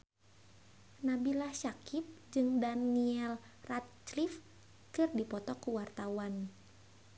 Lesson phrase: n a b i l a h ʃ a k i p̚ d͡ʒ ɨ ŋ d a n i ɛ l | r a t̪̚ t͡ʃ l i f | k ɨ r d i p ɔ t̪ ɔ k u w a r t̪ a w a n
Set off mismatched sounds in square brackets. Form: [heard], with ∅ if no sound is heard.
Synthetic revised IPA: n a b i l a h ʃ a k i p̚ d͡ʒ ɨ ŋ d a n i ɛ l | r a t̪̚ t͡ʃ l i f | k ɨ r d i p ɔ t̪ ɔ k u w a r t̪ a w a n